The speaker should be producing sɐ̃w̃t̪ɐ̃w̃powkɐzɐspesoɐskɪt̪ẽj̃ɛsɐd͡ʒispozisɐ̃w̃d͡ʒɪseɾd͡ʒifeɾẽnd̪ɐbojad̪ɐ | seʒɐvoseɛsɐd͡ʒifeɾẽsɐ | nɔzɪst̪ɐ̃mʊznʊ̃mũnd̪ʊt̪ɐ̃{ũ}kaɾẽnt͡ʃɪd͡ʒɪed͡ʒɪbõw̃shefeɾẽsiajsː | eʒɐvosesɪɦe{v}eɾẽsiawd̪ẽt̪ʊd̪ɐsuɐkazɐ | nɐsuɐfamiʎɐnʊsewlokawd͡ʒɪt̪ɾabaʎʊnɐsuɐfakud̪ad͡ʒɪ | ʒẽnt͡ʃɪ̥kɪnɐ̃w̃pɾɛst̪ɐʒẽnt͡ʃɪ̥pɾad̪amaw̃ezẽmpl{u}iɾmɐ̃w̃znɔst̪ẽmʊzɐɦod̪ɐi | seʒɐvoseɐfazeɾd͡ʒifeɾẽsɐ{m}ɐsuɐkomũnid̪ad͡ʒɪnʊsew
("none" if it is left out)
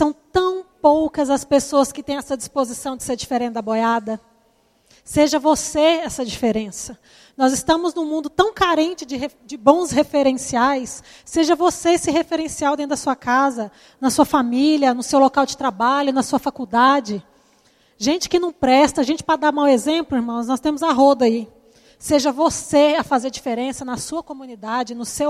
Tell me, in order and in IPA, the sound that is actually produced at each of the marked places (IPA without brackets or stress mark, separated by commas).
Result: w̃, f, ʊ, n